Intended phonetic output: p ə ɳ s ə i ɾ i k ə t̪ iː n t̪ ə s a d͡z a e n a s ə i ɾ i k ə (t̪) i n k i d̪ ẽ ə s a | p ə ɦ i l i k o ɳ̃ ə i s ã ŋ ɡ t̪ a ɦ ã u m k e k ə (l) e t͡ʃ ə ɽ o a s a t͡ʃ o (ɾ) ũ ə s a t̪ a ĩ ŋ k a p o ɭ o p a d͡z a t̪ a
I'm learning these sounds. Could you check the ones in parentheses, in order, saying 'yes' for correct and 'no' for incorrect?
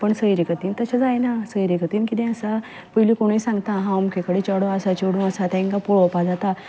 yes, no, no

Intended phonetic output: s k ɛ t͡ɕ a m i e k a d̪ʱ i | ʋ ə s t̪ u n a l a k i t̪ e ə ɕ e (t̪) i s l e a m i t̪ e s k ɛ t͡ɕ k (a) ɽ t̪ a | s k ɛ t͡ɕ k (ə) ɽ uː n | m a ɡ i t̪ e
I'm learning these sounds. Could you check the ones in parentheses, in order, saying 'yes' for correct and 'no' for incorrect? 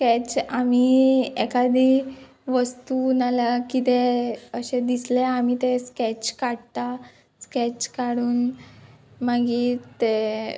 no, yes, no

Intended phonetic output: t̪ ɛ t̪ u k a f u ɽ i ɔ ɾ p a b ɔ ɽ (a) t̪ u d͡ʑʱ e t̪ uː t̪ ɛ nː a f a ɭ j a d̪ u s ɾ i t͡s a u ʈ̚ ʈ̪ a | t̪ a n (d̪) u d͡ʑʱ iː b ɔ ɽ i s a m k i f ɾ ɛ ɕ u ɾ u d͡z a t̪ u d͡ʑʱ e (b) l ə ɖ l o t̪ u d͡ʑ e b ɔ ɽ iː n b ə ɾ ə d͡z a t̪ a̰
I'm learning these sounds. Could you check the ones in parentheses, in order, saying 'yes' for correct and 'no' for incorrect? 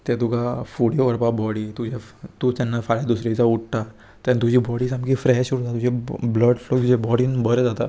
no, no, yes

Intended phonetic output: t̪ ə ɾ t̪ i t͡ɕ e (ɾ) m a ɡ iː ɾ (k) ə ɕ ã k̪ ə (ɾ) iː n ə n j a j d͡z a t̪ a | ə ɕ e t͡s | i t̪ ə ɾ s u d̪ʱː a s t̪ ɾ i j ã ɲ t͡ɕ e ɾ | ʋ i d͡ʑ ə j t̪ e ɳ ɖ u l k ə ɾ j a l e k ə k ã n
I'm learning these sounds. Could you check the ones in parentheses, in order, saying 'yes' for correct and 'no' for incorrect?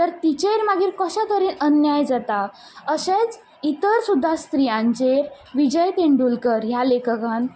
yes, yes, yes

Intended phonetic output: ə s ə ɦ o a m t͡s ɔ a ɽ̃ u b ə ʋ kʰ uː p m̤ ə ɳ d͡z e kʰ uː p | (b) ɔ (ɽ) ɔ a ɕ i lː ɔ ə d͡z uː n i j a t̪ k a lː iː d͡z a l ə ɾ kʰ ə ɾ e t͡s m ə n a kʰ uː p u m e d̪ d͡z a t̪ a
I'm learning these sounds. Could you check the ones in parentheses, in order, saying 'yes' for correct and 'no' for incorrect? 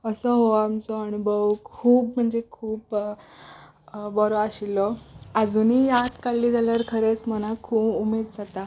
yes, no

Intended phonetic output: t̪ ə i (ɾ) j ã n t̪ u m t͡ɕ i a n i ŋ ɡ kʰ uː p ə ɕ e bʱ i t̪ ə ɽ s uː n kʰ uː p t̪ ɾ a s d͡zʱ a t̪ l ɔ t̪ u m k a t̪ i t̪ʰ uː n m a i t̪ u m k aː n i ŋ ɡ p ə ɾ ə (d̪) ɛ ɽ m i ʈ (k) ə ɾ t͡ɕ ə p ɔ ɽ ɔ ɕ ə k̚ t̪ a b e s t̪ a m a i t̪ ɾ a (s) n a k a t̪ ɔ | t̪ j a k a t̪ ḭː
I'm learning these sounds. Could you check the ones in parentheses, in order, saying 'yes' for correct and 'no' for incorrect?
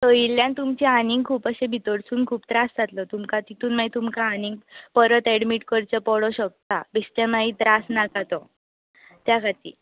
no, no, yes, yes

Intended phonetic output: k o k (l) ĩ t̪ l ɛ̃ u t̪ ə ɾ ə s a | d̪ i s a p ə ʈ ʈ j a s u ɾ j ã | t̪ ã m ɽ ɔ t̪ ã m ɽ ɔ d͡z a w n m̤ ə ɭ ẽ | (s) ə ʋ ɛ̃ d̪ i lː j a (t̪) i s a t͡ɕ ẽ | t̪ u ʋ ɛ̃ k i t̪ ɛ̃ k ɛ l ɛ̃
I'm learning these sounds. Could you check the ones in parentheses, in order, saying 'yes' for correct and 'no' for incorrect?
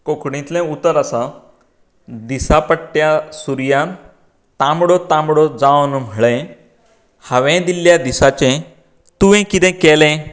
no, no, no

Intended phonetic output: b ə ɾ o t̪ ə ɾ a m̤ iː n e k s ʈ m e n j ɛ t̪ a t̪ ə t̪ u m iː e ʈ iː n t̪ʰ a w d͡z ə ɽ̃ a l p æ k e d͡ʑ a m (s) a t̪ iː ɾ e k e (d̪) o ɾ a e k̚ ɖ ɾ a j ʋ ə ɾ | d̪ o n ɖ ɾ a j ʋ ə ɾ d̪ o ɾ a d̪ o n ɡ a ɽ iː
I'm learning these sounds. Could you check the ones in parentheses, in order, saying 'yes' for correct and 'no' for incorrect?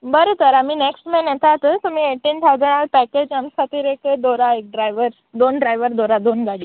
yes, yes

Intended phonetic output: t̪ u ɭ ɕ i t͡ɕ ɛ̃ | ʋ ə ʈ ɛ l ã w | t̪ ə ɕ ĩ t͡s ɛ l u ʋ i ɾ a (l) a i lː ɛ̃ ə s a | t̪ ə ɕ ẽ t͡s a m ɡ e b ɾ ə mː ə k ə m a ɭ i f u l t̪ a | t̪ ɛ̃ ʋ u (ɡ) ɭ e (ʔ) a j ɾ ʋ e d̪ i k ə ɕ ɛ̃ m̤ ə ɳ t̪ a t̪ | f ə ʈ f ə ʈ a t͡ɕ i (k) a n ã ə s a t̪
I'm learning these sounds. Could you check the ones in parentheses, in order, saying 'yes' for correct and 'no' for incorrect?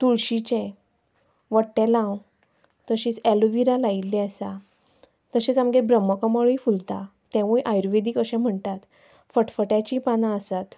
yes, no, yes, no

